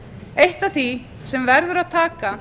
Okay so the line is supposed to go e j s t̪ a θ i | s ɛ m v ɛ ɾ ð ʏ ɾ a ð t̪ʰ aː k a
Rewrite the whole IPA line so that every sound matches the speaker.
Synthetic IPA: e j h t̪ a θ i | s ɛ m v ɛ ɾ ð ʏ ɾ a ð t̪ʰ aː k a